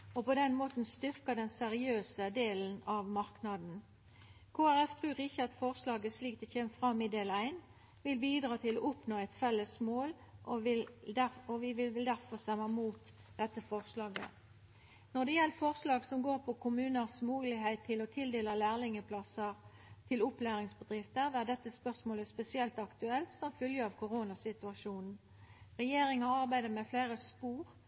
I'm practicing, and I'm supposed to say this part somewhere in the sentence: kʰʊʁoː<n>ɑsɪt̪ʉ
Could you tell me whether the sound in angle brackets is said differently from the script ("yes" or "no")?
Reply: no